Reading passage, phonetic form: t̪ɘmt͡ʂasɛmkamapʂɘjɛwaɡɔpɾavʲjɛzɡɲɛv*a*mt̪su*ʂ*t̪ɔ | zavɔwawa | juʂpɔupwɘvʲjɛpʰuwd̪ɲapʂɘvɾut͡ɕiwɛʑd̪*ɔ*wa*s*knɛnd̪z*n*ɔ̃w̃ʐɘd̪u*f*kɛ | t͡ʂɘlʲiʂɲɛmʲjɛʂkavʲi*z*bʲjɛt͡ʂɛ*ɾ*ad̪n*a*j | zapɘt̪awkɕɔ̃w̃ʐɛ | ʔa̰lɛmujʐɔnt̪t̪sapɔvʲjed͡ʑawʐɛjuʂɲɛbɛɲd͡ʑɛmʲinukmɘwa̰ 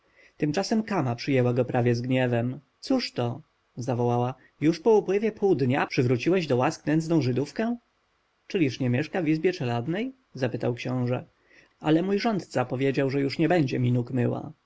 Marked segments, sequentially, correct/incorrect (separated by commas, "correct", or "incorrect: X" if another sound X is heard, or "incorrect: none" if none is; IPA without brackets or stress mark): incorrect: ɛ, correct, correct, correct, correct, correct, correct, incorrect: l, incorrect: ɛ